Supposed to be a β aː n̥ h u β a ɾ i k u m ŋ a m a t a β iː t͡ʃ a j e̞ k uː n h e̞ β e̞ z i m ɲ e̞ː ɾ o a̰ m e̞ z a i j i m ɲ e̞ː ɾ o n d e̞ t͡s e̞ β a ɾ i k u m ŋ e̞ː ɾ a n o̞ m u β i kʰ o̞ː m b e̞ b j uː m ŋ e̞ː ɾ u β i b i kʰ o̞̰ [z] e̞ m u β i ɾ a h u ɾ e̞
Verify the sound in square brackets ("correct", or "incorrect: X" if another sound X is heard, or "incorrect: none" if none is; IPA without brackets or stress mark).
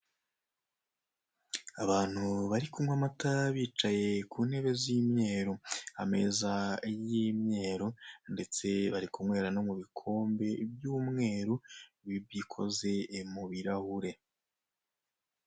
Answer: correct